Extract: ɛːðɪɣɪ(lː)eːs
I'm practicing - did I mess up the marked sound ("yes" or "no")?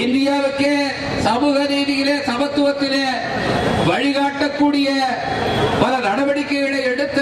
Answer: yes